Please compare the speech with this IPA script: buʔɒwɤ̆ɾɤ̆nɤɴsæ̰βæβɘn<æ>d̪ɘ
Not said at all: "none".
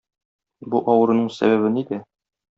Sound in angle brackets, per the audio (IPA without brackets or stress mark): i